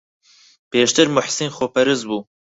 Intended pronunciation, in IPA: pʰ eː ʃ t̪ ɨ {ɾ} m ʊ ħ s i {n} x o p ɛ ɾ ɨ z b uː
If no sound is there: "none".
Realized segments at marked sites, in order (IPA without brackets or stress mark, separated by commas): ɾ, n